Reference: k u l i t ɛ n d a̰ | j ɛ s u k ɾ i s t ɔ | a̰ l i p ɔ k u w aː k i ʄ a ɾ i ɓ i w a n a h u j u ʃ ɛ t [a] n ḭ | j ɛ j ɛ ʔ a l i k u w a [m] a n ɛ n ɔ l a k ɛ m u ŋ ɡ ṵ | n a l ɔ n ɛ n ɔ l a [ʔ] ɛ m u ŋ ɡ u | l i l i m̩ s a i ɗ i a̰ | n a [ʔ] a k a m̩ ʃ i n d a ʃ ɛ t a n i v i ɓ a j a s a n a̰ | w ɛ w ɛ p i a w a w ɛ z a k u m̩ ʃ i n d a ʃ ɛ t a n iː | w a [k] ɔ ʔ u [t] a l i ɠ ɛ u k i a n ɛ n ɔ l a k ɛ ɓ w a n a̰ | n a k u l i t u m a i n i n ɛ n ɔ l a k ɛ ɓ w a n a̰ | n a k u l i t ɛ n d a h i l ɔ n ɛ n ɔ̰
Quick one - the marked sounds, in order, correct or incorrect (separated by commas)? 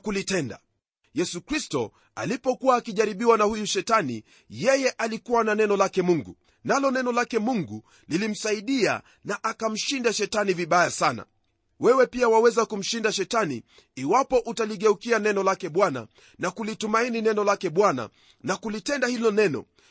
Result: correct, incorrect, incorrect, correct, incorrect, correct